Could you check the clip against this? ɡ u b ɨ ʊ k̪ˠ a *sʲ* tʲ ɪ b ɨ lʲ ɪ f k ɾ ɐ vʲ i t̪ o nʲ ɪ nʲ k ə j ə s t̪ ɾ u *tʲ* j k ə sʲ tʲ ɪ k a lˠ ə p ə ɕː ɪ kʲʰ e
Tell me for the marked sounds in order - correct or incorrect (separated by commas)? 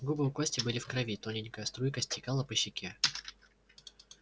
correct, incorrect